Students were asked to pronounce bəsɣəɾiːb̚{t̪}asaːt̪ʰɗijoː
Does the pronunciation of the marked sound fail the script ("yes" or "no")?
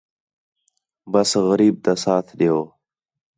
no